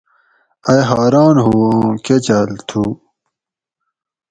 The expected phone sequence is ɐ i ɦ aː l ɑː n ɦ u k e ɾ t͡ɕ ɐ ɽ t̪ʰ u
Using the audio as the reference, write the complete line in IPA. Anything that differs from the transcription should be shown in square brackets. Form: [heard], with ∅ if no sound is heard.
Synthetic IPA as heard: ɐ [j] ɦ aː [ɾ] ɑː n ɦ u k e [∅] t͡ɕ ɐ [l] t̪ʰ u